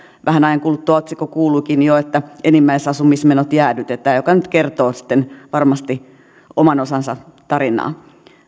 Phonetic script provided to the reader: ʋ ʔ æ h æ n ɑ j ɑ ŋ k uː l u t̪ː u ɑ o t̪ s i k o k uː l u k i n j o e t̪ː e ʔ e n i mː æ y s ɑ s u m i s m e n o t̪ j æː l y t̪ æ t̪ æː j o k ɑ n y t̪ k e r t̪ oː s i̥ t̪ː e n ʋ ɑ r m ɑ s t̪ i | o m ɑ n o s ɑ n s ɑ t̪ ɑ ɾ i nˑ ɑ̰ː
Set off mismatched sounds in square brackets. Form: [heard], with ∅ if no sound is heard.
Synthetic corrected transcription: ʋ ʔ æ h æ n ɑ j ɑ ŋ k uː l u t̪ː u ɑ o t̪ s i k o k uː l u k i n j o e t̪ː [æ] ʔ e n i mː æ [i] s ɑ s u m i s m e n o t̪ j æː l y t̪ [e] t̪ æː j o k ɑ n y t̪ k e r t̪ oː s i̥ t̪ː e n ʋ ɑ r m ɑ s t̪ i | o m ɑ n o s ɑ n s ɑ t̪ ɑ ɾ i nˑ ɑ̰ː